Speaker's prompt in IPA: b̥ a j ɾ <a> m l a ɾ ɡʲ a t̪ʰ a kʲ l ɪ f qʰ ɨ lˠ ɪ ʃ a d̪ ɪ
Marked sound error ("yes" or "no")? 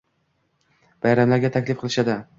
no